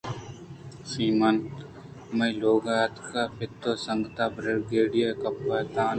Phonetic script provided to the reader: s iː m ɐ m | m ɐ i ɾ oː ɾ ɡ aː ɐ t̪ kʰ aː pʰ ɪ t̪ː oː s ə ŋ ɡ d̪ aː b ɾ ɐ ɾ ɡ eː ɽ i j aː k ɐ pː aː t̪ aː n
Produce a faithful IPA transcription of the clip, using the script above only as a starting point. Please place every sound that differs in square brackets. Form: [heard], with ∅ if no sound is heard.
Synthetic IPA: s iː m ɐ [n] | m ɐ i [l] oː [∅] ɡ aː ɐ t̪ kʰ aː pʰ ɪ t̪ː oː s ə ŋ ɡ [t̪] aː b ɾ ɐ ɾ ɡ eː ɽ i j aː k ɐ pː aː t̪ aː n

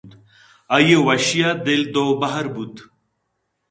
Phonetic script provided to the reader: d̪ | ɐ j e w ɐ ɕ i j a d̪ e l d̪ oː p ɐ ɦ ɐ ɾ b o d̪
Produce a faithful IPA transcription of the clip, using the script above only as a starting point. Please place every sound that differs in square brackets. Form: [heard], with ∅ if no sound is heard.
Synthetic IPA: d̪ | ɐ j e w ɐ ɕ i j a d̪ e l d̪ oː [b] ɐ ɦ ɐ ɾ b [u] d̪

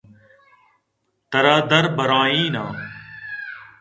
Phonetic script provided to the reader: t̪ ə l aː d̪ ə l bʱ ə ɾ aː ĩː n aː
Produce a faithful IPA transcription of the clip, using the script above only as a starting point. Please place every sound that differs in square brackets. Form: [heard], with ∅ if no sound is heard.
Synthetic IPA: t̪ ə [ɾ] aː d̪ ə [ɾ] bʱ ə ɾ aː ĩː n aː

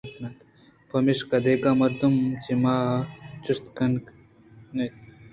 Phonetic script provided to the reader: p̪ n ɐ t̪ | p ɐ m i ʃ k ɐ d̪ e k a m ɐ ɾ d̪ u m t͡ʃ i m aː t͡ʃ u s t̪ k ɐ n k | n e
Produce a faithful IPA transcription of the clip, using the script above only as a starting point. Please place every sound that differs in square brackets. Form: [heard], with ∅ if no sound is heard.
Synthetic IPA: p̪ n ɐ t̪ | p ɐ m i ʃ k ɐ d̪ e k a m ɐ ɾ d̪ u m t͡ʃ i m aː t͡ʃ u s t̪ k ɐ n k | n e

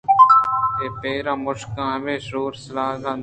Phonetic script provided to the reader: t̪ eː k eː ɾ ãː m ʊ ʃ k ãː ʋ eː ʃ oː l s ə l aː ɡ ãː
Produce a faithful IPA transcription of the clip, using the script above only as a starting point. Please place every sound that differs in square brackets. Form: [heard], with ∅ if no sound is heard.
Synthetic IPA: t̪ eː [p] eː ɾ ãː m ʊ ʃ k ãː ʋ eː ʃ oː [ɾ] s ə l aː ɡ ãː

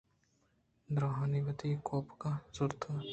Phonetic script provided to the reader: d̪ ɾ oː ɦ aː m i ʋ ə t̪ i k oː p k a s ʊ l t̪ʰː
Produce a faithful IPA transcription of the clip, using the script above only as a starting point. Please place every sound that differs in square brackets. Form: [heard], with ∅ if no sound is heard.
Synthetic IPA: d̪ ɾ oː ɦ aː [n] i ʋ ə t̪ i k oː p k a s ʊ [ɾ] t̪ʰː

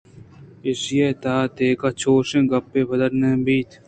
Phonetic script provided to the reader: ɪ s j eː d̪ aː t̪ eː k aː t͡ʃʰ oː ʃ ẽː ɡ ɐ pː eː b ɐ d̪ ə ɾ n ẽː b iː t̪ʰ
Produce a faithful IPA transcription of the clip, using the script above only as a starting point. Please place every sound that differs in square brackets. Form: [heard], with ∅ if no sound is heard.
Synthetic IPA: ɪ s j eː [t̪] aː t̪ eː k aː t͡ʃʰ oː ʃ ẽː ɡ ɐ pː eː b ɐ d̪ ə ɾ n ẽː b iː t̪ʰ

